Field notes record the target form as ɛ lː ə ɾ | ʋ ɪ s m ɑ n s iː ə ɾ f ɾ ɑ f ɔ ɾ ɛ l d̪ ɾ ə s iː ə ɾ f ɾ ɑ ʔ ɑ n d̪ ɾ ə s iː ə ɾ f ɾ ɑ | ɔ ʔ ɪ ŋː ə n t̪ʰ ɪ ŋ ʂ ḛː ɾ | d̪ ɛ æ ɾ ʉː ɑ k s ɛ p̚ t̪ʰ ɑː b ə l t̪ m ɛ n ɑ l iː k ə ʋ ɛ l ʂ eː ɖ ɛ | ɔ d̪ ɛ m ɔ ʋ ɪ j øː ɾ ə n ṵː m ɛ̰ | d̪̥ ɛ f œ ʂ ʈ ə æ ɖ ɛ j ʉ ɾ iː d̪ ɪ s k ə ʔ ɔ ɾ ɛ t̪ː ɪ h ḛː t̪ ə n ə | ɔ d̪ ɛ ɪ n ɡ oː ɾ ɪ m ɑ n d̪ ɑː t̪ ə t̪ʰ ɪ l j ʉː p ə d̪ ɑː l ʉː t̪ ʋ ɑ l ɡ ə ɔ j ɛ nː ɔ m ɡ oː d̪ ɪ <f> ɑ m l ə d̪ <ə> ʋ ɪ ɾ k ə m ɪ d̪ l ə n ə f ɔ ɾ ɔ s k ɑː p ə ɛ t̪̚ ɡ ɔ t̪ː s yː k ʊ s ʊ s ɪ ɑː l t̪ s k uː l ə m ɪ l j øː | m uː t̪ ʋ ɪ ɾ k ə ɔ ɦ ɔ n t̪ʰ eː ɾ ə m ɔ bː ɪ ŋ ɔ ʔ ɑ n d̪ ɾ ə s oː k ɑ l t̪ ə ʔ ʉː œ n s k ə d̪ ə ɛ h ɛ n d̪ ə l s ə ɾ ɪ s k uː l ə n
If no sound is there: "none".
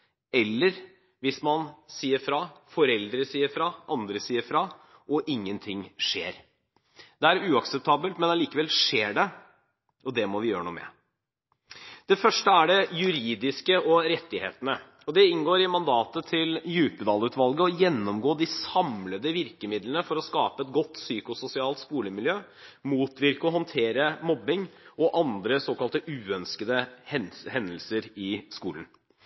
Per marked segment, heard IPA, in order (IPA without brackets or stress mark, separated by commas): s, ə